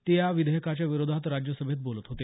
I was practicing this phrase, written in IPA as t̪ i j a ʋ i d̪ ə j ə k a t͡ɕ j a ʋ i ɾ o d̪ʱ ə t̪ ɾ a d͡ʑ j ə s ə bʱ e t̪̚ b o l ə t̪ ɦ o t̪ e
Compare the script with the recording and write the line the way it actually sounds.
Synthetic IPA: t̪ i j a ʋ i d̪ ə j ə k a t͡ɕ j a ʋ i ɾ o d̪ʱ a t̪ ɾ a d͡ʑ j ə s ə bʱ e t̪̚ b o l ə t̪ ɦ o t̪ e